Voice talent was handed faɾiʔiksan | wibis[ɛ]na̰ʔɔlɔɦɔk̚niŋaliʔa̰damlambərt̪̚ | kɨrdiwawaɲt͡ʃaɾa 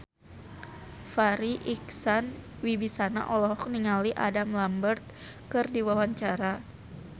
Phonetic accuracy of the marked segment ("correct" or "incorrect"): incorrect